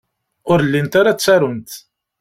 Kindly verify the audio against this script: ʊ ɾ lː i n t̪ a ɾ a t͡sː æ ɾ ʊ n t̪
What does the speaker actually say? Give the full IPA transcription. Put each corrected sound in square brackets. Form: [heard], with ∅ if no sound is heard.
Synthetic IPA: ʊ ɾ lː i n t̪ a ɾ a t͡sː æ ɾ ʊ n t̪